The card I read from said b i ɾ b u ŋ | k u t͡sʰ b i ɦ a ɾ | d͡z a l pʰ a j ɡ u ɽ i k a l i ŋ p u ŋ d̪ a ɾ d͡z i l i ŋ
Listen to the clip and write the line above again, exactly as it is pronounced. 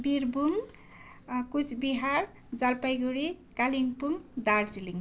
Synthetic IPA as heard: b i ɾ b u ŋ | k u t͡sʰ b i ɦ a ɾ | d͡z a l p a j ɡ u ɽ i k a l i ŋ p u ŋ d̪ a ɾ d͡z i l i ŋ